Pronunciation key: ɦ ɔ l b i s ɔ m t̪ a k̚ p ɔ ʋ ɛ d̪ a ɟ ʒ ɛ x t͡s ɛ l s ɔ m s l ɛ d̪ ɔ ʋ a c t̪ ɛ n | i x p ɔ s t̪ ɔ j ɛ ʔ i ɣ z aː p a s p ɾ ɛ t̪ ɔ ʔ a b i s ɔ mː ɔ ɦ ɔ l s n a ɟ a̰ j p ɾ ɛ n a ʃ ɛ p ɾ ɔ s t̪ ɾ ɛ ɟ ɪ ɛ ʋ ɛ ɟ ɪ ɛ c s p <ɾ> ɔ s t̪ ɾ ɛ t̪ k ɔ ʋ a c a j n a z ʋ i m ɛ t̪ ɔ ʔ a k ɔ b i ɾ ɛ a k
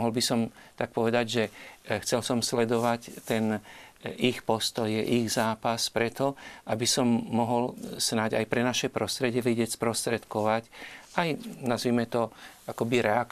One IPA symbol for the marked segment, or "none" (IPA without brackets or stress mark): ɾ